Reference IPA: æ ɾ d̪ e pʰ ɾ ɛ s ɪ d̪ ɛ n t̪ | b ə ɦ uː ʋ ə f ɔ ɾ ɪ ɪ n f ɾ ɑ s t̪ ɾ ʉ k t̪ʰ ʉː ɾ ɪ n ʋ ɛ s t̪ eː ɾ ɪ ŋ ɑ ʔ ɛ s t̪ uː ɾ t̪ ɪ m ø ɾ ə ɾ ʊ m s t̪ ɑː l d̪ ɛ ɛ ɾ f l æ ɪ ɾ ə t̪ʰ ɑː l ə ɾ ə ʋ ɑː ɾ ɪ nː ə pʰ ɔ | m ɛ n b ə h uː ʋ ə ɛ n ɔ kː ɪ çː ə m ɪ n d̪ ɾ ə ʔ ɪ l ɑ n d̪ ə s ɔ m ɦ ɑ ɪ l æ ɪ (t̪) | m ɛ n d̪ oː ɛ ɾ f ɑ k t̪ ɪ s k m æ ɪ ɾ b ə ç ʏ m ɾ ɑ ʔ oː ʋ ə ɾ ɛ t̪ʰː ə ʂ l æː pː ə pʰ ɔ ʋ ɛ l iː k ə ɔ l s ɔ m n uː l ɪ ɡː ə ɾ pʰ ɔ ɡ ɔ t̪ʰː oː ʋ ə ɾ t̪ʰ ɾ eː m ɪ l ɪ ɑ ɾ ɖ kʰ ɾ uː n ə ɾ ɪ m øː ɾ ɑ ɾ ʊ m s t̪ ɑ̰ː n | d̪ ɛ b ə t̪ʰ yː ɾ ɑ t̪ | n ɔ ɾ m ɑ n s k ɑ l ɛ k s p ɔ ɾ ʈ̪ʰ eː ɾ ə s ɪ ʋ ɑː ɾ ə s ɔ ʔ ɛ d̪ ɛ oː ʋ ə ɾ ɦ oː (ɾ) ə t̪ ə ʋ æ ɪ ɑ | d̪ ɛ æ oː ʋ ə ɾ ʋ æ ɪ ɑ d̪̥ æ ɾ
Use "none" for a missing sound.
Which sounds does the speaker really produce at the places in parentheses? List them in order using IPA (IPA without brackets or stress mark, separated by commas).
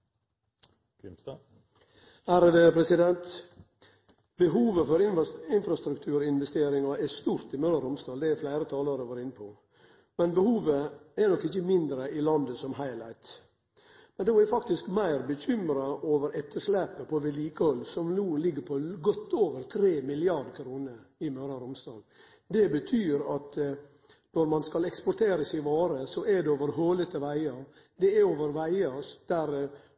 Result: t̪, l